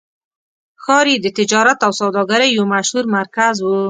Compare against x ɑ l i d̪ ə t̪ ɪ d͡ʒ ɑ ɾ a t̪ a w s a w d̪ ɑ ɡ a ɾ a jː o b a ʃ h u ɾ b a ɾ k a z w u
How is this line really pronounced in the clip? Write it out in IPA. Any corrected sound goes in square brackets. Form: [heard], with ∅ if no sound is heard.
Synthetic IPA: x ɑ [ɾ] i d̪ ə t̪ ɪ d͡ʒ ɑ ɾ a t̪ a w s a w d̪ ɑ ɡ a ɾ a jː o [m] a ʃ h u ɾ [m] a ɾ k a z w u